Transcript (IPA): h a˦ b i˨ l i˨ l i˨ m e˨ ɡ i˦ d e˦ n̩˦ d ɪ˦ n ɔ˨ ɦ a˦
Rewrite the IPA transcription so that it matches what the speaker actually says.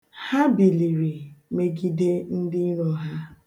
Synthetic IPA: h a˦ b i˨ l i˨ ɾ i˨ m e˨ ɡ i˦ d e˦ n̩˦ d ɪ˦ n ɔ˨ ɦ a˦